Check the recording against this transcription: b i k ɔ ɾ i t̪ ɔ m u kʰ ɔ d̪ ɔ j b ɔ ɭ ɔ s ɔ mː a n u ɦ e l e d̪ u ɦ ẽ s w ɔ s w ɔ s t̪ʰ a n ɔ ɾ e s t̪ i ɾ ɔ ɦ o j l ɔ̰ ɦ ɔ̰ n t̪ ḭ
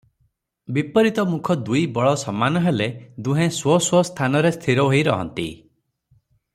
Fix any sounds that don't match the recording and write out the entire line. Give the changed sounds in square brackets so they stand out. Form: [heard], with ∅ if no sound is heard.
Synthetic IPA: b i [p] ɔ ɾ i t̪ ɔ m u kʰ ɔ d̪ [u] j b ɔ ɭ ɔ s ɔ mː a n [ɔ] ɦ e l e d̪ u ɦ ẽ s w ɔ s w ɔ s t̪ʰ a n ɔ ɾ e s [t̪ʰ] i ɾ ɔ ɦ o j [ɾ] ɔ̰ ɦ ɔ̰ n t̪ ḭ